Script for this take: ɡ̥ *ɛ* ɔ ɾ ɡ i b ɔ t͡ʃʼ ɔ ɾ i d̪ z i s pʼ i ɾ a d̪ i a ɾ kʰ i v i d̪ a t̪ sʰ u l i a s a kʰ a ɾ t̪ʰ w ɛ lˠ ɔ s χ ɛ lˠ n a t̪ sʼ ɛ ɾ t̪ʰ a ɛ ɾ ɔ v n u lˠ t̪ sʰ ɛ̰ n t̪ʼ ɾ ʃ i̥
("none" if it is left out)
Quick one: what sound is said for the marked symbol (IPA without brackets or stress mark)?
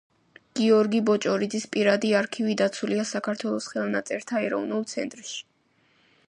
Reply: i